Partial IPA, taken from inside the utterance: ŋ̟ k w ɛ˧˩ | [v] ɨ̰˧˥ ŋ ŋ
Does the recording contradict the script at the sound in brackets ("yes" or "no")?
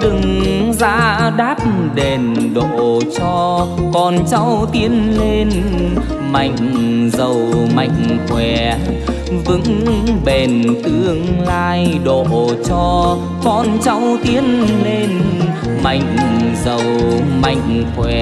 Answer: no